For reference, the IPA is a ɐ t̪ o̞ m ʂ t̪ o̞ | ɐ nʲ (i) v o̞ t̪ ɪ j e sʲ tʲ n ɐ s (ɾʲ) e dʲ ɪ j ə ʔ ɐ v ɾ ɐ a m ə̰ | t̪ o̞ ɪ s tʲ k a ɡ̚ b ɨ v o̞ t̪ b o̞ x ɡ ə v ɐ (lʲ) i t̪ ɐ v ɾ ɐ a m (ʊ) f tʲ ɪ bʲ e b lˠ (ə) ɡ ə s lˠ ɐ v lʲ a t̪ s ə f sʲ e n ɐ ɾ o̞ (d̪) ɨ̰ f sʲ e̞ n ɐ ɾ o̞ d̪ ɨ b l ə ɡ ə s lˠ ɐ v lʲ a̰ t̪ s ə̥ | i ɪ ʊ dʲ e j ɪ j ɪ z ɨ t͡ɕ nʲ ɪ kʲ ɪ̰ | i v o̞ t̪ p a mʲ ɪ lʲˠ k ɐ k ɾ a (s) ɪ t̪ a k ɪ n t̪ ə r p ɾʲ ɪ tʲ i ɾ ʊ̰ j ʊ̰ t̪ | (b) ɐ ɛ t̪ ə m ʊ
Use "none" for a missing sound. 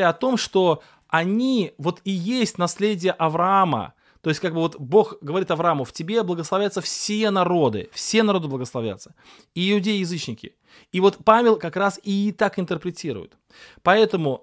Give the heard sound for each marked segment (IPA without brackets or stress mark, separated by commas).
i, lʲ, ɾʲ, ʊ, ə, d̪, s, p